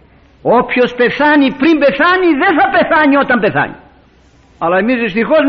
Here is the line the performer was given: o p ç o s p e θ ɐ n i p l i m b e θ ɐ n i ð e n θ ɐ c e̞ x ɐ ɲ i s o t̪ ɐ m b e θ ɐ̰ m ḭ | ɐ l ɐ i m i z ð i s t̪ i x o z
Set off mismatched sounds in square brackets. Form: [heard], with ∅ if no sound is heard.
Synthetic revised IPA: o p ç o s p e θ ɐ n i p [ɾ] i m b e θ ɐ n i ð e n θ ɐ [p] e̞ [θ] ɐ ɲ i [∅] o t̪ ɐ m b e θ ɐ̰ [ɲ] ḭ | ɐ l ɐ [e] m i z ð i s t̪ i x o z